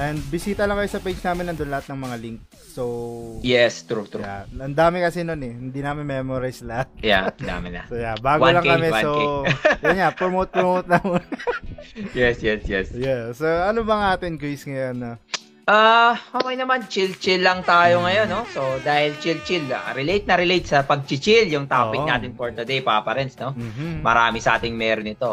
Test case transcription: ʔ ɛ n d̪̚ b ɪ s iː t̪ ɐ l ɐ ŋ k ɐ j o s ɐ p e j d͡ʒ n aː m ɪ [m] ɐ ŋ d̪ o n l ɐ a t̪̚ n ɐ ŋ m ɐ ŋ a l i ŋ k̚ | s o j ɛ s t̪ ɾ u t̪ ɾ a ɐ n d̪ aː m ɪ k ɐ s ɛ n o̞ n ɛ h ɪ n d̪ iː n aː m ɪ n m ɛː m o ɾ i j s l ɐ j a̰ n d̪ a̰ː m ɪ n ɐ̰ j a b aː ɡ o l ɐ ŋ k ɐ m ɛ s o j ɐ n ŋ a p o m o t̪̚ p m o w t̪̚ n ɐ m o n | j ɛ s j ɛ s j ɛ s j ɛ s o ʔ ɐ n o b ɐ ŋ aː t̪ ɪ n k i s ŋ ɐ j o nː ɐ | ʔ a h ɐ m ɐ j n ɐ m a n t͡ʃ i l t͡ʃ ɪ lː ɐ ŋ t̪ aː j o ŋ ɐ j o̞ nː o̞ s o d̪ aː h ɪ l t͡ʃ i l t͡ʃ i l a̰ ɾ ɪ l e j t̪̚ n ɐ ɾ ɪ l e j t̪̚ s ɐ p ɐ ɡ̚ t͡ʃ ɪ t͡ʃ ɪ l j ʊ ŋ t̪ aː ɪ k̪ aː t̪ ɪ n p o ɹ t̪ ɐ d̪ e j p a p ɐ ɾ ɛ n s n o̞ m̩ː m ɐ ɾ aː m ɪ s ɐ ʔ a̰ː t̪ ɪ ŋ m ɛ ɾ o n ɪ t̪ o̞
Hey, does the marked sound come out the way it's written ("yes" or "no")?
no